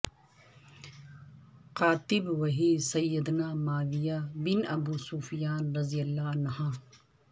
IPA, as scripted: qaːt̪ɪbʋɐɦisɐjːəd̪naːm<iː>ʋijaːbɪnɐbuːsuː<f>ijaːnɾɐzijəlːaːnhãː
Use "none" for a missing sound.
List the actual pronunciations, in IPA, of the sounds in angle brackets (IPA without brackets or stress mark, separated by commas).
aː, f